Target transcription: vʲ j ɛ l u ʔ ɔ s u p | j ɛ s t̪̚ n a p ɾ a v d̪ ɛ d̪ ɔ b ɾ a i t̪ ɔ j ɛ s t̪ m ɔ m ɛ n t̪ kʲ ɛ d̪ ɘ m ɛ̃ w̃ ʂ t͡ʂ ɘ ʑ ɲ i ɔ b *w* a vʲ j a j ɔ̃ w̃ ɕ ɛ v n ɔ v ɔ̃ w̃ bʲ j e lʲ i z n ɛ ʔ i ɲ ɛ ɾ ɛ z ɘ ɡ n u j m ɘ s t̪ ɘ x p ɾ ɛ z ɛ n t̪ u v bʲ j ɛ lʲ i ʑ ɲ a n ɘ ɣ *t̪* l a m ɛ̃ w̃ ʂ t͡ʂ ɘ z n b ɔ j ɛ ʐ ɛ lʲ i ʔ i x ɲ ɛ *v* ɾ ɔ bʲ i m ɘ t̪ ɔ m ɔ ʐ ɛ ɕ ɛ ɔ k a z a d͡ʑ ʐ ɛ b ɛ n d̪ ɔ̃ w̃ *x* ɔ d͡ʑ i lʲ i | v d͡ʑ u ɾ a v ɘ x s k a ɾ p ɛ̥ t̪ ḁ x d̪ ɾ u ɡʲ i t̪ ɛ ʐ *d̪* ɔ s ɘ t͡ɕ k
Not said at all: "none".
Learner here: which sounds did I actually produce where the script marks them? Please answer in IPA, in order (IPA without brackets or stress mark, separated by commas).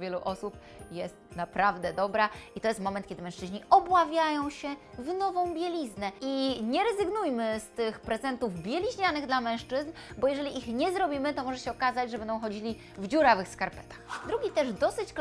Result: w, d̪, z, x, d̪